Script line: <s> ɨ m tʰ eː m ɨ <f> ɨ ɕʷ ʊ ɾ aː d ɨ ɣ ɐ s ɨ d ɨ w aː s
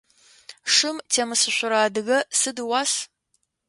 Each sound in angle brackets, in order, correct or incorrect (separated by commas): incorrect, incorrect